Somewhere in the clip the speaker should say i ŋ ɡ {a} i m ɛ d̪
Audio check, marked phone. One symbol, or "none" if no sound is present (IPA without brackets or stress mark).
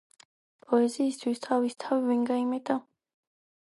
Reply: a